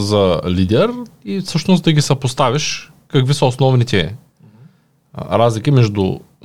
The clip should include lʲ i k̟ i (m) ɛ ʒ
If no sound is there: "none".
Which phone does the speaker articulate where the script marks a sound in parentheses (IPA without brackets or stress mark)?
m